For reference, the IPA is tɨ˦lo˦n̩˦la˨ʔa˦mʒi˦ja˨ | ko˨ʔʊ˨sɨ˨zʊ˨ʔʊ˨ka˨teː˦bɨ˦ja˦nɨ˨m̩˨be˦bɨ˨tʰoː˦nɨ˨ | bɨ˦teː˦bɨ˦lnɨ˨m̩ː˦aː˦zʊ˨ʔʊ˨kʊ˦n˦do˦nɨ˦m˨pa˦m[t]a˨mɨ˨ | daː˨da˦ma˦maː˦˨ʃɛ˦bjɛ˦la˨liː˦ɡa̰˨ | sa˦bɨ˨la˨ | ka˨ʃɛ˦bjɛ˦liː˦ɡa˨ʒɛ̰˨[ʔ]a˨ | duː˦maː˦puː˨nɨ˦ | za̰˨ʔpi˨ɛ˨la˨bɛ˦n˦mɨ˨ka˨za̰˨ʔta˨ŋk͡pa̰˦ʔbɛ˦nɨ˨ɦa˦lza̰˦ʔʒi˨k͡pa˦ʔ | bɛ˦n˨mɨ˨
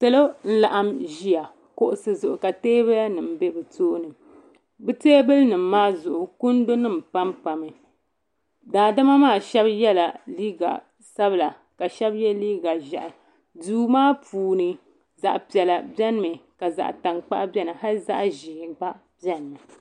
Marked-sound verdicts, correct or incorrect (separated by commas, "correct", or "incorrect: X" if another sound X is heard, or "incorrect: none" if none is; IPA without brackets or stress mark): incorrect: p, correct